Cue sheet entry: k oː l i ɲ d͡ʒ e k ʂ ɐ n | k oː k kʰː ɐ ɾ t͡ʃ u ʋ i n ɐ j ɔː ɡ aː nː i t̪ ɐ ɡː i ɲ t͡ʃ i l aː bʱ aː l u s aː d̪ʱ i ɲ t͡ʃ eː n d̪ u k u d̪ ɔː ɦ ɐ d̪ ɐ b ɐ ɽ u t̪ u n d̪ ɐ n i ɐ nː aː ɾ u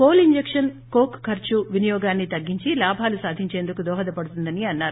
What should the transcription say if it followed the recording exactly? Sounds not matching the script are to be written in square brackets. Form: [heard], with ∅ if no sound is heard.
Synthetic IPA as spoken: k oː l i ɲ d͡ʒ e k ʂ ɐ n | k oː k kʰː ɐ ɾ t͡ʃ u ʋ i n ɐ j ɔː ɡ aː nː i t̪ ɐ ɡː i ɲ t͡ʃ i l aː bʱ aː l u s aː d̪ʱ i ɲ t͡ʃ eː n d̪ u k u d̪ ɔː ɦ ɐ d̪ ɐ [p] ɐ ɽ u t̪ u n d̪ ɐ n i ɐ nː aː ɾ u